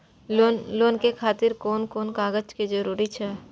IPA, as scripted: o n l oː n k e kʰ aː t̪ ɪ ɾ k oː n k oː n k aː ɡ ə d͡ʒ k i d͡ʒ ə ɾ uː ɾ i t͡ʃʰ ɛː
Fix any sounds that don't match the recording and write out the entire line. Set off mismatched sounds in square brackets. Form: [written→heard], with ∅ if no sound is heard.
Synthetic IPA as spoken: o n l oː n k e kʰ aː t̪ ɪ ɾ k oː n k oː n k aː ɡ ə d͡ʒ k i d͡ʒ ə ɾ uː ɾ i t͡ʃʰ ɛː